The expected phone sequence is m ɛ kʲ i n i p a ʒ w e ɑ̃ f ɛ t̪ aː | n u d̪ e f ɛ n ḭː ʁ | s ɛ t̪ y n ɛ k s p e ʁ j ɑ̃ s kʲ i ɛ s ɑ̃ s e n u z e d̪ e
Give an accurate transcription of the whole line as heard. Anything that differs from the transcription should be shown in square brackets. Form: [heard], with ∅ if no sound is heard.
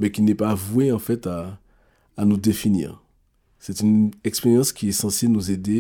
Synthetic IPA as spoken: m ɛ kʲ i n [ɛ] p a [v] w e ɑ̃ f ɛ t̪ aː | n u d̪ e f [i] n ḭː ʁ | s ɛ t̪ y n ɛ k s p e ʁ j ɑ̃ s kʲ i ɛ s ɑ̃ s e n u z e d̪ e